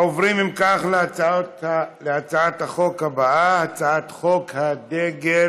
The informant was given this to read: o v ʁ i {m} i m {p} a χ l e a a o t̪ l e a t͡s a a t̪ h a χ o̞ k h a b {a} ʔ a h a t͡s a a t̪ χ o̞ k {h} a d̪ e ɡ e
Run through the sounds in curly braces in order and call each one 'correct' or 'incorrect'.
correct, incorrect: k, correct, correct

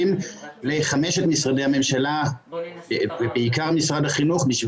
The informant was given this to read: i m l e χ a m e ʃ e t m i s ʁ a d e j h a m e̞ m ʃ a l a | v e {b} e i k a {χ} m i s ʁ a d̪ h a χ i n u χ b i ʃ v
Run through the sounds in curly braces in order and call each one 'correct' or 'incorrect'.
correct, incorrect: ʁ

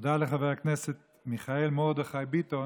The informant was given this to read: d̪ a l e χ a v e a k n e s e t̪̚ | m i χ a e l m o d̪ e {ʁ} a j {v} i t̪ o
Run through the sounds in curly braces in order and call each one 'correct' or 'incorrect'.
incorrect: χ, incorrect: b

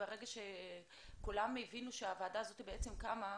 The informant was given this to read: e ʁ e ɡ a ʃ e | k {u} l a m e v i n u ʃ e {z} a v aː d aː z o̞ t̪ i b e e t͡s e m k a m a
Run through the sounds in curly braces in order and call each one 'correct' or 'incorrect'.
correct, incorrect: none

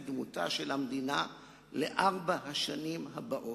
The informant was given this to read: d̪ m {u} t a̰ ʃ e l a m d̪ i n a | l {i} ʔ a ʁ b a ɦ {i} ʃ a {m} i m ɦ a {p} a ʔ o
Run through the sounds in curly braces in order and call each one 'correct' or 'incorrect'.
correct, incorrect: e, incorrect: a, incorrect: n, incorrect: b

